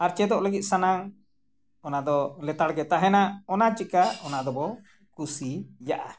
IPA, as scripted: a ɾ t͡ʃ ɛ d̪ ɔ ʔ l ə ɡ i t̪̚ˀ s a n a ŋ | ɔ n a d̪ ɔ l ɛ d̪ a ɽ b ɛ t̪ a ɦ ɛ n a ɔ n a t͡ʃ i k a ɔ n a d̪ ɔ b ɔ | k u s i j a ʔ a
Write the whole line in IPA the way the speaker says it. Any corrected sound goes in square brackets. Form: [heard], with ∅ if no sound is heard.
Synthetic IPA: a ɾ t͡ʃ ɛ d̪ ɔ ʔ l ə ɡ i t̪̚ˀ s a n a ŋ | ɔ n a d̪ ɔ l ɛ [t̪] a ɽ [ɡ] ɛ t̪ a ɦ ɛ n a ɔ n a t͡ʃ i k a ɔ n a d̪ ɔ b ɔ | k u s i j a ʔ a